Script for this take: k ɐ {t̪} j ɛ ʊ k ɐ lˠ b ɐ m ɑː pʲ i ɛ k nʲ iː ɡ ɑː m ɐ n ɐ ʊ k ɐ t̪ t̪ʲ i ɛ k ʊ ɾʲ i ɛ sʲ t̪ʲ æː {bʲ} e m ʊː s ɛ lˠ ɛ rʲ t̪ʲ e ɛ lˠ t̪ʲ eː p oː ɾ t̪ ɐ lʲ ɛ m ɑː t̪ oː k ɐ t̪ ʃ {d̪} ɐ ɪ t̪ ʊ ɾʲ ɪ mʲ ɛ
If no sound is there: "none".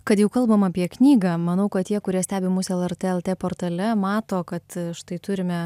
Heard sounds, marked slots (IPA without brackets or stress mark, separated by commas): t̪, bʲ, t̪